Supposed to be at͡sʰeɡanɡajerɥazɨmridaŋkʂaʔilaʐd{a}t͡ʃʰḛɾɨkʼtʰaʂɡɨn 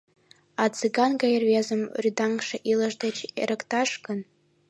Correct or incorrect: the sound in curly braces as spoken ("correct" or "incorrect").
correct